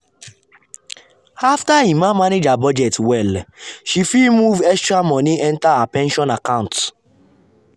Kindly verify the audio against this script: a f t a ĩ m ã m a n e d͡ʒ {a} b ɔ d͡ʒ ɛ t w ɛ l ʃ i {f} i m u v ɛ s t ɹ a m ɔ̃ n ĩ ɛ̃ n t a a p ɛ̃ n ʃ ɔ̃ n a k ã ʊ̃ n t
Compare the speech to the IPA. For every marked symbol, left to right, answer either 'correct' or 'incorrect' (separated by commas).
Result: correct, correct